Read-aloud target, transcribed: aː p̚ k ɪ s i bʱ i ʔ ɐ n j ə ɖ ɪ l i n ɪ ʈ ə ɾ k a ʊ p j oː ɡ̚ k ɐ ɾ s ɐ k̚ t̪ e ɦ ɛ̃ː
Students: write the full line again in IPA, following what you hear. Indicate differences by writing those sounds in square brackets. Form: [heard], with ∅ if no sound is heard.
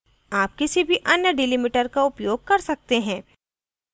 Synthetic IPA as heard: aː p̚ k ɪ s i bʱ i ʔ ɐ n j ə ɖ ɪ l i [m] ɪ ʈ ə ɾ k a ʊ p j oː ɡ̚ k ɐ ɾ s ɐ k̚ t̪ e ɦ ɛ̃ː